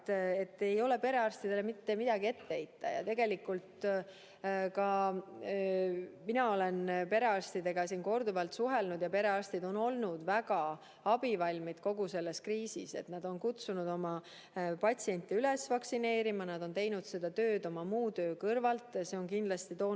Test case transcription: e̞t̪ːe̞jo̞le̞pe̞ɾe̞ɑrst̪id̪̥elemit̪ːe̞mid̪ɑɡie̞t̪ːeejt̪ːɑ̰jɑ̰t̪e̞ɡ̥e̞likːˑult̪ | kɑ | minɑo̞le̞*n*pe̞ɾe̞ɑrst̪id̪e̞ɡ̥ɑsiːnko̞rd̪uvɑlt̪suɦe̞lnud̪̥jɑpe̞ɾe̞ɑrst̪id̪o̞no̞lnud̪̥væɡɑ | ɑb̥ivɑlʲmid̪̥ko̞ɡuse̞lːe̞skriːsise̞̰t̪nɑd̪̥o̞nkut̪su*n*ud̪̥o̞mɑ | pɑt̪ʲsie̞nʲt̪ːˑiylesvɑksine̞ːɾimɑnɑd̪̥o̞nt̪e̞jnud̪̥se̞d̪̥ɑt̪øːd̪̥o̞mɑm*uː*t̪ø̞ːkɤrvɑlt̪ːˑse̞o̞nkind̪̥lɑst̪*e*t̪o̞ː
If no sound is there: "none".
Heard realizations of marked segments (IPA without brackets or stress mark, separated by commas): n, n, uː, i